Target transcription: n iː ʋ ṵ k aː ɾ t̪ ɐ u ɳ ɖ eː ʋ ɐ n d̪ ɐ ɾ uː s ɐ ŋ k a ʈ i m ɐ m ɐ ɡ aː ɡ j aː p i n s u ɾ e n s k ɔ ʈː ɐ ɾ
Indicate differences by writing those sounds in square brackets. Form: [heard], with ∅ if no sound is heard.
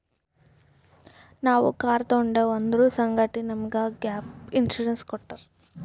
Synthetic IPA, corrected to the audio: n [aː] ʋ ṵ k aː ɾ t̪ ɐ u ɳ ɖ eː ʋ ɐ n d̪ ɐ ɾ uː s ɐ ŋ [ɡ] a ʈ i [n] ɐ m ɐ ɡ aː ɡ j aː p i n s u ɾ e n s k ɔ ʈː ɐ ɾ